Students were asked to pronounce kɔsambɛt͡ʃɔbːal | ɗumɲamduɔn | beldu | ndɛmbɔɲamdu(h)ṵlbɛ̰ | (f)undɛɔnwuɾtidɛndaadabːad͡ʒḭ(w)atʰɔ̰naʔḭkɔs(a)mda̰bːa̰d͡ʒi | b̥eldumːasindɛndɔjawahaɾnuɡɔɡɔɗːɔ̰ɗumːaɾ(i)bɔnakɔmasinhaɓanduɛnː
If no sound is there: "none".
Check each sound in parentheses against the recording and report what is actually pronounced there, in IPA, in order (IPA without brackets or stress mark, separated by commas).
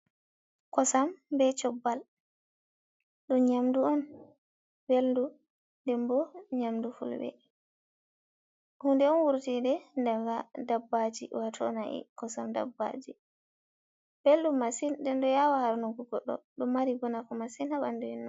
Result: f, h, w, a, i